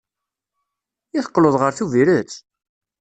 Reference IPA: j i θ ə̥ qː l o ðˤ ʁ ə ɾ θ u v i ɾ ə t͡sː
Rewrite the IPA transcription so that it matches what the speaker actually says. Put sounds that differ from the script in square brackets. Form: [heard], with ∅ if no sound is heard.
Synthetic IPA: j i θ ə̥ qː l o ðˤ ʁ ə ɾ θ u v i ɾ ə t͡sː